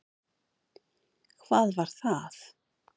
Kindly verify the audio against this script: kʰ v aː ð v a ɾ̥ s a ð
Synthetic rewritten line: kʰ v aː ð v a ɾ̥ θ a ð